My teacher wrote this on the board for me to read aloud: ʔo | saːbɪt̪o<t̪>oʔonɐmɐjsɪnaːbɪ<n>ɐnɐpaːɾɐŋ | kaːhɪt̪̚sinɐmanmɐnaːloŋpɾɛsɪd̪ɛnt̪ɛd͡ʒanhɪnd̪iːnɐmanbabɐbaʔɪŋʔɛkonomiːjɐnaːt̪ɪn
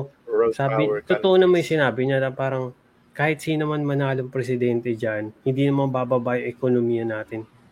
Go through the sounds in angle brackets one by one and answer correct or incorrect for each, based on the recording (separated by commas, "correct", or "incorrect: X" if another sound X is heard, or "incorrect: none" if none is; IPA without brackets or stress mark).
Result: correct, incorrect: ɲ